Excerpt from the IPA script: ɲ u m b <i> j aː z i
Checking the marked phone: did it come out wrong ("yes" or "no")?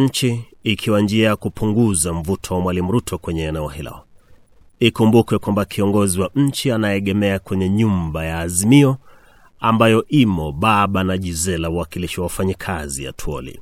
yes